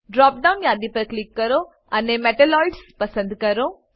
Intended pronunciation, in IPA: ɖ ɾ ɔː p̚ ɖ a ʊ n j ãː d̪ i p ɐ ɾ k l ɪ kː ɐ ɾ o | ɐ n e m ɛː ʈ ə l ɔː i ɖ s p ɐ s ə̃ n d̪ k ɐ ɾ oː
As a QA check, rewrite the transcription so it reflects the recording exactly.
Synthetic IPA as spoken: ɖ ɾ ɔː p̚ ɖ a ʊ n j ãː d̪ i p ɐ ɾ k l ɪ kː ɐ ɾ o | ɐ n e m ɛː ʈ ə l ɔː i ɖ s p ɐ s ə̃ n d̪ k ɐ ɾ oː

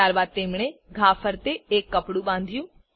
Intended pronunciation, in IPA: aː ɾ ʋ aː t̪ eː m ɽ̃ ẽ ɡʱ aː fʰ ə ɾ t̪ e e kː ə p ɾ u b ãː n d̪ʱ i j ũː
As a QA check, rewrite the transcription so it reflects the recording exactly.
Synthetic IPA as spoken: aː ɾ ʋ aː t̪ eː m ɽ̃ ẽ ɡʱ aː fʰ ə ɾ t̪ e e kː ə p ɽ u b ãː n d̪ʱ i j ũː

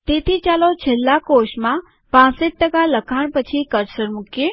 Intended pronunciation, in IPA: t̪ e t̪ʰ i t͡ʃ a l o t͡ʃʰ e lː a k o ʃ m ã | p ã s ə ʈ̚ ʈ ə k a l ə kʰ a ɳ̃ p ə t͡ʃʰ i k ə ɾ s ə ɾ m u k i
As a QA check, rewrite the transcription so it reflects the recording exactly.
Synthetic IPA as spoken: t̪ e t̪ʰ i t͡ʃ a l o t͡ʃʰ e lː a k o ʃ m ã | p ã s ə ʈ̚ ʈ ə k a l ə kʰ a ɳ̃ p ə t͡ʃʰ i k ə ɾ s ə ɾ m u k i

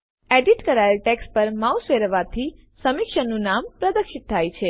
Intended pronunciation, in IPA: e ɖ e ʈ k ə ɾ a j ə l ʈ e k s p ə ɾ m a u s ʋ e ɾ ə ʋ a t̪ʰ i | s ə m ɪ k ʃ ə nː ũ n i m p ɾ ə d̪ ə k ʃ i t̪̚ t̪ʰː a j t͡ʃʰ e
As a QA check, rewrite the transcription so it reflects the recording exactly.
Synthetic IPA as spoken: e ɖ i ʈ k ə ɾ a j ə l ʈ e k s p ə ɾ m a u s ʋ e ɾ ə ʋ a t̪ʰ i | s ə m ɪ k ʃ ə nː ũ n a m p ɾ ə d̪ ə k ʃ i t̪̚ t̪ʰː a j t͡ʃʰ e

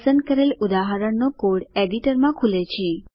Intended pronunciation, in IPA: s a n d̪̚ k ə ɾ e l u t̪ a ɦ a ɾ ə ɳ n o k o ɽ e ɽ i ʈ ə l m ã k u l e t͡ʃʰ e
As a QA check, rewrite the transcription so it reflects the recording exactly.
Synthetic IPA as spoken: s ə n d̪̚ k ə ɾ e l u d̪ a ɦ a ɾ ə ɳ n o k o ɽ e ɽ i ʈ ə ɾ m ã kʰ u l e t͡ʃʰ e

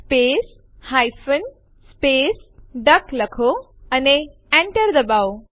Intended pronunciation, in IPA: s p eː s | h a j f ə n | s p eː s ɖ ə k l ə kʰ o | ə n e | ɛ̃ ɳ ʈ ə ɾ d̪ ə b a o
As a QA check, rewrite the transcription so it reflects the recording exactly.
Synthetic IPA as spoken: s p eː s | h a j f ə n | s p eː s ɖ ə k l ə kʰ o | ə n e | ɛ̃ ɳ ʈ ə ɾ d̪ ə b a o

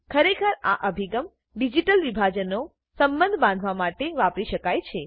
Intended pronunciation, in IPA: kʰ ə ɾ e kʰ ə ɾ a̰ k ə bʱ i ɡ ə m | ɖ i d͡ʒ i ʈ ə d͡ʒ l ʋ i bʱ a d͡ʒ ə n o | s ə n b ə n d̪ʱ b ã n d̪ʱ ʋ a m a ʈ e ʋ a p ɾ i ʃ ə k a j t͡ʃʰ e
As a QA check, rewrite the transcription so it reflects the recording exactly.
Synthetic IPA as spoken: kʰ ə ɾ e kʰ ə ɾ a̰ ʔ ə bʱ i ɡ ə m | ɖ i d͡ʒ i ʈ ə l ʋ i bʱ a d͡ʒ ə n o | s ə m b ə n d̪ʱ b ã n d̪ʱ ʋ a m a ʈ e ʋ a p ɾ i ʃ ə k a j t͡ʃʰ e

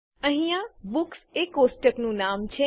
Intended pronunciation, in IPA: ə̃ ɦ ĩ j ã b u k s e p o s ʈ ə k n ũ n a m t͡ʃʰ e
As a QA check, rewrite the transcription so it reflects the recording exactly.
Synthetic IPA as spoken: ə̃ ɦ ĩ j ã b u k s e k o s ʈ ə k n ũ n a m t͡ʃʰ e

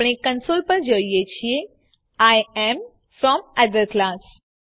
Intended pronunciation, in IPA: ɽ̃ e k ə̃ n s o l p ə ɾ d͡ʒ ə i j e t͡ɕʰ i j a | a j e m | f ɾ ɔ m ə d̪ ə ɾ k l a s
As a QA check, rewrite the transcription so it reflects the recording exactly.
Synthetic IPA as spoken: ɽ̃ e k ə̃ n s o l p ə ɾ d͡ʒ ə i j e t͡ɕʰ i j e | a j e m | f ɾ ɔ m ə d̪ ə ɾ k l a s

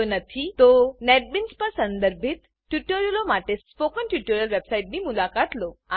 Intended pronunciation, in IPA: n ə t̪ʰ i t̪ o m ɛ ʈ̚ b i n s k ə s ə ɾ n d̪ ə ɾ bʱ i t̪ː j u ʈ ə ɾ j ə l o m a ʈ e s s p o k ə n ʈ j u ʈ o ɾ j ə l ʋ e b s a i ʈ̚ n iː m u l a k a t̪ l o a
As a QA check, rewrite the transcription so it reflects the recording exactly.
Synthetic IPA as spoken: n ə t̪ʰ i t̪ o n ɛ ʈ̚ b i n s p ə s ə n d̪ ə ɾ bʱ i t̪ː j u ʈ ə ɾ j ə l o m a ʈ e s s p o k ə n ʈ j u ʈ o ɾ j ə l ʋ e b s a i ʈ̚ n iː m u l a k a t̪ l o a

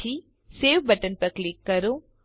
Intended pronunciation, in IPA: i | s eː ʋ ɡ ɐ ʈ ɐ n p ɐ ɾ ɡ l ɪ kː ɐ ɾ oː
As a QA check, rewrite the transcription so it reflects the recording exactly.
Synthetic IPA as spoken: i | s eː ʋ b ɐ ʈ ə n p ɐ ɾ k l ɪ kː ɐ ɾ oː

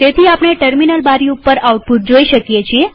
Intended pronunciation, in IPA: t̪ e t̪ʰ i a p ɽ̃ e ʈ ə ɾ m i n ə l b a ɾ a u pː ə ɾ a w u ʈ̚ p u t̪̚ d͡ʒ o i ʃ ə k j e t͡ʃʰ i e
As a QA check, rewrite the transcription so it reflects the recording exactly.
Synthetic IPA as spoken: t̪ e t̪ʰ i a p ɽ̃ e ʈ ə ɾ m i n ə l b a ɾ i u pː ə ɾ a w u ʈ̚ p u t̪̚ d͡ʒ o i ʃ ə k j e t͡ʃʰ i e

